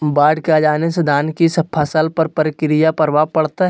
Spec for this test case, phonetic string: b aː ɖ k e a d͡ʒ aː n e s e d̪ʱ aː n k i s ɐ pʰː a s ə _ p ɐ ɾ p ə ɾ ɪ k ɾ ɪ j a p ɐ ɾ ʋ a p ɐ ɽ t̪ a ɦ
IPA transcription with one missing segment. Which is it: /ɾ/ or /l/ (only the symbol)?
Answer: l